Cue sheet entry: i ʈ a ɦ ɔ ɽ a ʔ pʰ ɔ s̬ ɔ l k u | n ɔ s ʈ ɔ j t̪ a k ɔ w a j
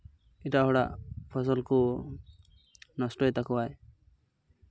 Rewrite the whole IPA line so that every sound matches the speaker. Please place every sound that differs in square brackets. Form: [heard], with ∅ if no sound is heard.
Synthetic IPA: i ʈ a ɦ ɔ ɽ a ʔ pʰ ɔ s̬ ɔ l k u | n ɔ s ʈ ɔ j t̪ a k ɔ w a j